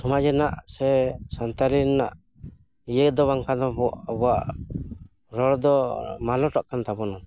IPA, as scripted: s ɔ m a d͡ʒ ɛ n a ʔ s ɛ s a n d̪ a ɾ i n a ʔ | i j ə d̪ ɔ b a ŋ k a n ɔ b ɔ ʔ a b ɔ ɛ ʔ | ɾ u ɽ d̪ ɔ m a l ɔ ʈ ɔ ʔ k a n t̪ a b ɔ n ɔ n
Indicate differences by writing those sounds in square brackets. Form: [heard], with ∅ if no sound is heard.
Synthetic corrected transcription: s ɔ m a d͡ʒ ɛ n a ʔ s ɛ s a n [t̪] a ɾ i n a ʔ | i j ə d̪ ɔ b a ŋ k a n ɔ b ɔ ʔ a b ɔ [a] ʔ | ɾ [ɔ] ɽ d̪ ɔ m a l ɔ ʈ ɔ ʔ k a n t̪ a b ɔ n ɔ n